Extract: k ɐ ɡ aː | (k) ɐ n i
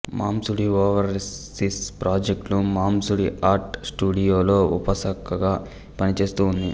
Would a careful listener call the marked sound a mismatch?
yes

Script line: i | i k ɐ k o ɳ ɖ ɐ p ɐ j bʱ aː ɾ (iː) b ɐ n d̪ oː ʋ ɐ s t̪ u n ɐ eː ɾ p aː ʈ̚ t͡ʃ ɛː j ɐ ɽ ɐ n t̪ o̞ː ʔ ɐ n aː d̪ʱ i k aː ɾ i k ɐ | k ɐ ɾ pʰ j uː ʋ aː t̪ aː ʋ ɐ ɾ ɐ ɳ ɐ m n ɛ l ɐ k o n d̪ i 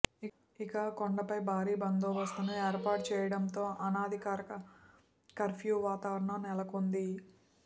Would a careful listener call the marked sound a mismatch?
no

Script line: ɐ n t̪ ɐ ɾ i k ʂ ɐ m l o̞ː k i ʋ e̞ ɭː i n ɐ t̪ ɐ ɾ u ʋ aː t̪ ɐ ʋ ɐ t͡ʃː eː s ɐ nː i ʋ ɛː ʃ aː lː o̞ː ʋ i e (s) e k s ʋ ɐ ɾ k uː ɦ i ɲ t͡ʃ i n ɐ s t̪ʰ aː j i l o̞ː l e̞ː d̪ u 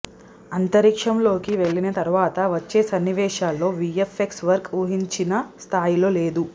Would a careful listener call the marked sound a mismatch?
yes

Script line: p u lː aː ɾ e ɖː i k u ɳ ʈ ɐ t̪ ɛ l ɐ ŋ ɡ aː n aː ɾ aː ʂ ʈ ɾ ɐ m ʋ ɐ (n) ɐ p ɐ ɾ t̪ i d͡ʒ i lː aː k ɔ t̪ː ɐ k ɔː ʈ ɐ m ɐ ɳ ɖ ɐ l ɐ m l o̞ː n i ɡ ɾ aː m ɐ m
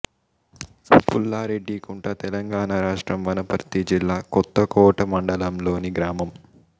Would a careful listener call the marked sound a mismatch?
no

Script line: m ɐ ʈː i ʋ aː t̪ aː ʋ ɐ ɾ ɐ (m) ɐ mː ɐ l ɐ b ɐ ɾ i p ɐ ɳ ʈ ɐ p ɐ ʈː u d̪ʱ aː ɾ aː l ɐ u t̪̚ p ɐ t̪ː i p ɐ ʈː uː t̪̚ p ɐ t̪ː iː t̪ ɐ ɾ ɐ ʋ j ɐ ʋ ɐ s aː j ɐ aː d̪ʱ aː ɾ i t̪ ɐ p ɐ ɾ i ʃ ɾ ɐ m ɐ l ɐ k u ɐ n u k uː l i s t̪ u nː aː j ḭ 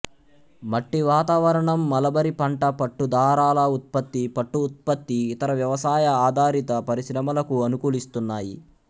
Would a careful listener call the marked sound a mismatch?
yes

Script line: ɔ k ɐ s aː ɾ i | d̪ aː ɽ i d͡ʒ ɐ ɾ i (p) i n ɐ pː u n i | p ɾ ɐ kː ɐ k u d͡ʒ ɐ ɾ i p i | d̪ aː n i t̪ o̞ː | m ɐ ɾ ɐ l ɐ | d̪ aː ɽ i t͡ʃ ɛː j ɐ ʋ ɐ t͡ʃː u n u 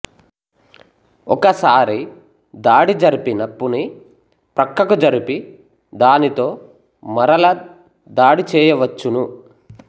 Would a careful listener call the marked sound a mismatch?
no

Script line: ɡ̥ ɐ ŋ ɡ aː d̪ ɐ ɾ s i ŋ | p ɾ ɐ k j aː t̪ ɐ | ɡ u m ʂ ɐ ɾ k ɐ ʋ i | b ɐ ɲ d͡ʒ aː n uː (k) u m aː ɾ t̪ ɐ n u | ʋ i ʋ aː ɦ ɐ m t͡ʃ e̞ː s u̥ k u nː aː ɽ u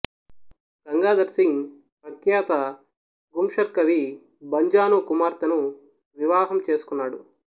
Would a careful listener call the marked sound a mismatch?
no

